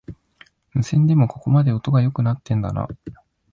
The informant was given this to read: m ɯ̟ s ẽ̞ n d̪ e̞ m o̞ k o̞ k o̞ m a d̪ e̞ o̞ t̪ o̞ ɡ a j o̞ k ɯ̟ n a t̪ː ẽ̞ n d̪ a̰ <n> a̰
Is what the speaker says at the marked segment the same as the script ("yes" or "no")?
yes